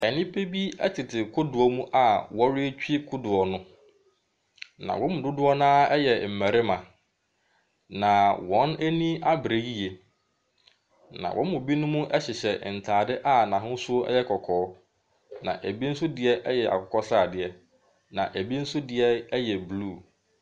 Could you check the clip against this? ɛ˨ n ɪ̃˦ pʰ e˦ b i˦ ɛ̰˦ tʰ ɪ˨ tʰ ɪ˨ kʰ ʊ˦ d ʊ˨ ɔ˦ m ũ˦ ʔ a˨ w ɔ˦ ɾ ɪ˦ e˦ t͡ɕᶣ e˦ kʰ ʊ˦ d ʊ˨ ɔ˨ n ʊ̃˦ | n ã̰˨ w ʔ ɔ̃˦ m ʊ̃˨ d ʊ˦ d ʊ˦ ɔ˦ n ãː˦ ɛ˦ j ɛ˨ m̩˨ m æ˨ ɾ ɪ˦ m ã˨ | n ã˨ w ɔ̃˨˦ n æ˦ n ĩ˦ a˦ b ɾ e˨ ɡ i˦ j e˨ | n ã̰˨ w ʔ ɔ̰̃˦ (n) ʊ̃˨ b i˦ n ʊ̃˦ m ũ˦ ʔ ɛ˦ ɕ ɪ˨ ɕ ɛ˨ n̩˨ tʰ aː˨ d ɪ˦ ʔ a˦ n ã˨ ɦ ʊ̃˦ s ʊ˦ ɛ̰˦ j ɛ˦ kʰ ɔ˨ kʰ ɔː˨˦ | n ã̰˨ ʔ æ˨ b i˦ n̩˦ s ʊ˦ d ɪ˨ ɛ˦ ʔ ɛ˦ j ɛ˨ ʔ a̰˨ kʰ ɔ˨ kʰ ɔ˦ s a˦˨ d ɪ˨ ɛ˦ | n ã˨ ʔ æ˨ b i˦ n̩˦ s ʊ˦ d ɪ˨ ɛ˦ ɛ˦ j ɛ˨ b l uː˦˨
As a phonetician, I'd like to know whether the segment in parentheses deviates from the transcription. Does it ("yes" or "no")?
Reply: yes